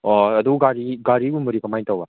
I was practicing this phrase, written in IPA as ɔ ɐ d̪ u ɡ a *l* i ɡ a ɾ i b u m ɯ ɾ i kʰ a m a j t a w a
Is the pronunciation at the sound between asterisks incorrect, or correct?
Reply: incorrect